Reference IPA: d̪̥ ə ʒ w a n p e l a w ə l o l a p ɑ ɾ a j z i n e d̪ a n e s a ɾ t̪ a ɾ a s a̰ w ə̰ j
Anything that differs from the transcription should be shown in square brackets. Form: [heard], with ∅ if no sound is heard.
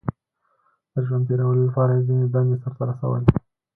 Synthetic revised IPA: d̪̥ ə ʒ w a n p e [ɾ] a w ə l o l a p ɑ ɾ a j z i n e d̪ a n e s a ɾ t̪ a ɾ a s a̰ w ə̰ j